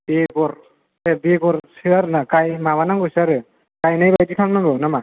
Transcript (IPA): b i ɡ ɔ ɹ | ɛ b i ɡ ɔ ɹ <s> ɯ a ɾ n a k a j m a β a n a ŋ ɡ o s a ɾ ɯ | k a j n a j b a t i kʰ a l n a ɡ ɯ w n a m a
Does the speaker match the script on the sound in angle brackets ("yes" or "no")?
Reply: yes